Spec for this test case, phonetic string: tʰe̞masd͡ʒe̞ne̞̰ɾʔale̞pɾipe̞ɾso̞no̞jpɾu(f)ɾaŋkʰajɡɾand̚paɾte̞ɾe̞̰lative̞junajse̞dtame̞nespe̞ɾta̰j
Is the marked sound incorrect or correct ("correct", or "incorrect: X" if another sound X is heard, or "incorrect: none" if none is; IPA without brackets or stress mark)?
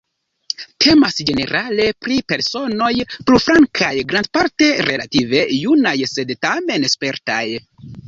correct